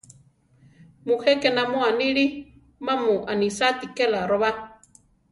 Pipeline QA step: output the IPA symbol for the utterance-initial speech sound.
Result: m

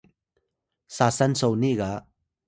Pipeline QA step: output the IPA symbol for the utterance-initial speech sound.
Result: s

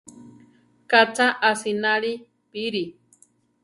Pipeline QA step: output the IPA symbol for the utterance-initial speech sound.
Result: k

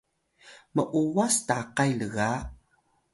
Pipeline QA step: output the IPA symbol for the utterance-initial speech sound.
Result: m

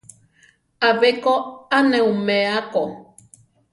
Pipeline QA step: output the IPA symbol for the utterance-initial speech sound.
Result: a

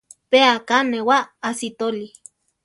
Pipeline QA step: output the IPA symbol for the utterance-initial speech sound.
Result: p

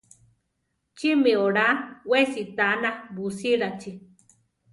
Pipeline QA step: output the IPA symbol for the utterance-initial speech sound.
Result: t͡ʃ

